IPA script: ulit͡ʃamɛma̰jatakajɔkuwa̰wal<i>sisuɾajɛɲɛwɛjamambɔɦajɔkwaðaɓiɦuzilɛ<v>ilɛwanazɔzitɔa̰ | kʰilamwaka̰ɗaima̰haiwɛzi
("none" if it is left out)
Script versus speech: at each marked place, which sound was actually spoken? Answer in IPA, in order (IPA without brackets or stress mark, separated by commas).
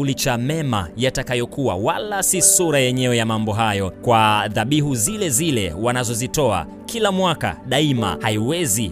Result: a, z